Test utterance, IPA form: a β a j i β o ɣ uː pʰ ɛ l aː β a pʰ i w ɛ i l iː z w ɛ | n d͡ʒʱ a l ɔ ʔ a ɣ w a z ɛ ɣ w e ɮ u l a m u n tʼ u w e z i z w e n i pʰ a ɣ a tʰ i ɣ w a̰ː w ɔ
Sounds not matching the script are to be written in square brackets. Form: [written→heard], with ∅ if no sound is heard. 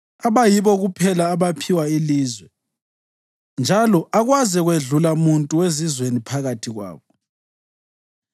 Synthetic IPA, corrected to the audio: a β a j i β [o→ɔ] ɣ [uː→u] pʰ ɛ l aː β a pʰ i w [ɛ→a] i l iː z w ɛ | n d͡ʒʱ a l ɔ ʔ a ɣ w a z ɛ ɣ w e ɮ u l a m u n tʼ u w e z i z w e n i pʰ a ɣ a tʰ i ɣ w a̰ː [w→β] ɔ

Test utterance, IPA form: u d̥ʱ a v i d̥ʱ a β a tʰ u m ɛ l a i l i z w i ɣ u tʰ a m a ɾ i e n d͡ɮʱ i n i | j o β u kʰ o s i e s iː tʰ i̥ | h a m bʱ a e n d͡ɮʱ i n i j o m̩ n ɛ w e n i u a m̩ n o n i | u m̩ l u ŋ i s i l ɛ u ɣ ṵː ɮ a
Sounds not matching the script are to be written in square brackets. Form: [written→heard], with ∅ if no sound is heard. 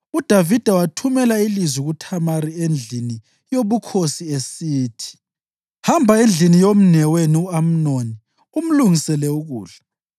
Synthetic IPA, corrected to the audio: u d̥ʱ a v i d̥ʱ a [β→w] a tʰ u m ɛ l a i l i z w i ɣ u tʰ a m a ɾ i e n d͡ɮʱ i n i | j o β u kʰ o s i e s iː tʰ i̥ | h a m bʱ a e n d͡ɮʱ i n i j o m̩ n ɛ w e n i u a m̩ n o n i | u m̩ l u ŋ i s [i→ɛ] l ɛ u ɣ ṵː ɮ a

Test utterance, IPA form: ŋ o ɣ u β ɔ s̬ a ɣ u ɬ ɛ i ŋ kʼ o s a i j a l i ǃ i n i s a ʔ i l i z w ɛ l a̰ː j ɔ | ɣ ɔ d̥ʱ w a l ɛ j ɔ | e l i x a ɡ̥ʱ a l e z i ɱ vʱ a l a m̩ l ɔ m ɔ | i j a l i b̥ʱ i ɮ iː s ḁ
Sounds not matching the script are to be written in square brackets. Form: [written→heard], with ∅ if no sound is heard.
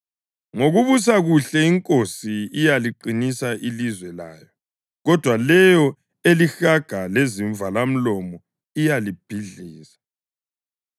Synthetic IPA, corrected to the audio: ŋ o ɣ u β [ɔ→u] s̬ a ɣ u ɬ ɛ i ŋ kʼ o s [a→i] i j a l i ǃ i n i s a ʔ i l i z w ɛ l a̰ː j ɔ | ɣ ɔ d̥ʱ w a l ɛ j ɔ | e l i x a ɡ̥ʱ a l e z i ɱ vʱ a l a m̩ l ɔ m ɔ | i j a l i b̥ʱ i ɮ iː s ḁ

